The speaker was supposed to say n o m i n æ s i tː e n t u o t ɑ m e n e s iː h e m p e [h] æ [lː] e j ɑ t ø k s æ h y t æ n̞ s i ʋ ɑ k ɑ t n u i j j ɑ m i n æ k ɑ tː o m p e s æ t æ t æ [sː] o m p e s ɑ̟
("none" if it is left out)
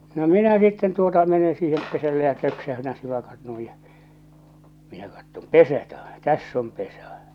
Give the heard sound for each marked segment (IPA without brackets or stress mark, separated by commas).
s, lː, sː